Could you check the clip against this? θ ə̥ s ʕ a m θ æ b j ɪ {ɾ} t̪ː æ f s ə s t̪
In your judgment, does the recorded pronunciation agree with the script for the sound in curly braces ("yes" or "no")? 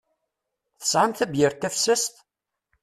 yes